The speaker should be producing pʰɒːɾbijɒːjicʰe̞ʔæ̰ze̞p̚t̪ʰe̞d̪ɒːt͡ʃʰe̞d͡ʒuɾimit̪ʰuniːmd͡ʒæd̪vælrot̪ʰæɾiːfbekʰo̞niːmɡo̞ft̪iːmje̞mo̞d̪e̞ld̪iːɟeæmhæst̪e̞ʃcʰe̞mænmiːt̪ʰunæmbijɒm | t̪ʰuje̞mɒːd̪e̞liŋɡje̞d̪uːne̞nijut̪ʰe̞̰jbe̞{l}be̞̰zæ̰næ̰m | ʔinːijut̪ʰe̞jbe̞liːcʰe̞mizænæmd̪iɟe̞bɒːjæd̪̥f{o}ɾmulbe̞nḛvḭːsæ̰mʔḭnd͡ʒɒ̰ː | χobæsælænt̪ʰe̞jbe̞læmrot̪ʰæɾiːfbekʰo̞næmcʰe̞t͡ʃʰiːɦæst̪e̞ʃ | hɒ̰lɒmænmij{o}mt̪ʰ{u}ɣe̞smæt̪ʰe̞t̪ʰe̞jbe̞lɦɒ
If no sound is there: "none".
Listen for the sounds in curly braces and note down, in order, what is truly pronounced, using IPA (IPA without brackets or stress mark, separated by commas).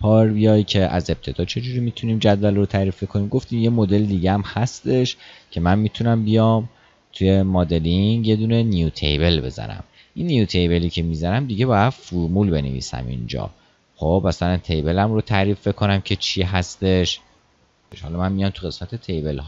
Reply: l, u, ɒ, u